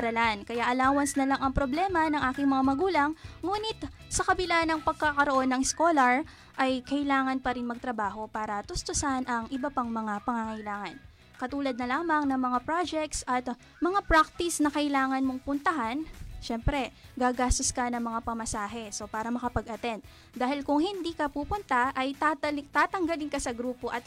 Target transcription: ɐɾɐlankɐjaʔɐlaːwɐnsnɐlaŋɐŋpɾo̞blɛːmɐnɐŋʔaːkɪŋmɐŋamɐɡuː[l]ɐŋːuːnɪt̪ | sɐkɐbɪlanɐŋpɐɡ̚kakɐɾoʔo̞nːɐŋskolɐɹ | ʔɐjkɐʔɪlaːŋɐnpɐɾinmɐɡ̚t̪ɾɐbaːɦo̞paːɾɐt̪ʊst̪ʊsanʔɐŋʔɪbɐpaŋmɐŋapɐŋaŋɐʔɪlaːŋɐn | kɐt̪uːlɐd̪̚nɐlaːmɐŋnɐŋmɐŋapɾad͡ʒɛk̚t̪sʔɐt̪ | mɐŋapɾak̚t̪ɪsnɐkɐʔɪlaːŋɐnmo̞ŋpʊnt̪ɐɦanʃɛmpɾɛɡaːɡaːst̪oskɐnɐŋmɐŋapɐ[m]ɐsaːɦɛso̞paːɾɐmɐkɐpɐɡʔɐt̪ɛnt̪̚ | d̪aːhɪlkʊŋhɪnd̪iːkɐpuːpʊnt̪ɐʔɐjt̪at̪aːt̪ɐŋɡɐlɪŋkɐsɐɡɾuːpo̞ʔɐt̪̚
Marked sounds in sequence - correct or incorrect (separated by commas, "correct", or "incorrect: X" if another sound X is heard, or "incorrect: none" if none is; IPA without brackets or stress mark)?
correct, correct